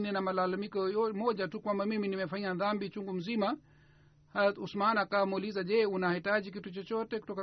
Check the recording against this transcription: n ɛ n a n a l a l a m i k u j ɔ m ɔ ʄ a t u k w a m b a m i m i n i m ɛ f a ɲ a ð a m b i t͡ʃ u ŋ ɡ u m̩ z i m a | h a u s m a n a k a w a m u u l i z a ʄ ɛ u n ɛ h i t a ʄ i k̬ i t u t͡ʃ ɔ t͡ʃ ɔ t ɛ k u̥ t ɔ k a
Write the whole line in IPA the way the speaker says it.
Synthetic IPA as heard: n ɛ n a m a l a l a m i k ɔ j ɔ m ɔ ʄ a t u k w a m b a m i m i n i m ɛ f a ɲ a ð a m b i t͡ʃ u ŋ ɡ u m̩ z i m a | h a u s m a n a k a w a m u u l i z a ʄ ɛ u n a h i t a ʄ i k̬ i t u t͡ʃ ɔ t͡ʃ ɔ t ɛ k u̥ t ɔ k a